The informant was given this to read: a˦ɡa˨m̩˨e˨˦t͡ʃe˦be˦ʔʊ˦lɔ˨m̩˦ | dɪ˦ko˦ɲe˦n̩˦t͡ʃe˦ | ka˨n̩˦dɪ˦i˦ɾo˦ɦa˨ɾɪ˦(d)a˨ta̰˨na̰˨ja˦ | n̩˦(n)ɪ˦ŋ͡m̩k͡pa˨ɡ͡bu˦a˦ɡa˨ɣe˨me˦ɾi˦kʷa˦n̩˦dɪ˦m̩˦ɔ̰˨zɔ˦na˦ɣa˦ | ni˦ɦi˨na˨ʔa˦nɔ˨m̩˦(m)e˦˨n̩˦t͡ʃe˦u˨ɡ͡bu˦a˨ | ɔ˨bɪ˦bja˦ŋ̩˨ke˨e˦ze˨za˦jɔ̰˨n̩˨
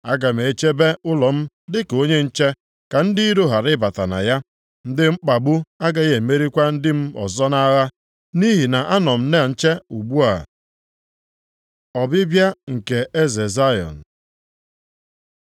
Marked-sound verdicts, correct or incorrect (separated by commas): incorrect, incorrect, incorrect